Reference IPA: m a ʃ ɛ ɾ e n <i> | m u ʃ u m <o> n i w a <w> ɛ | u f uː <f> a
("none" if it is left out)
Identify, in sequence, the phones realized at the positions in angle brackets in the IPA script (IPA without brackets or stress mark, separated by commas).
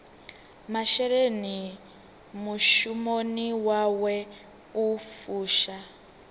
i, o, w, ʃ